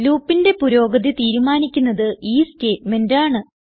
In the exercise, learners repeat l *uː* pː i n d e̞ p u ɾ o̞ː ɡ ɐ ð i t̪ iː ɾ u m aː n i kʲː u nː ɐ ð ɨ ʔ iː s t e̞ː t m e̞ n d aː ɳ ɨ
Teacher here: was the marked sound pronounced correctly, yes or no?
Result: yes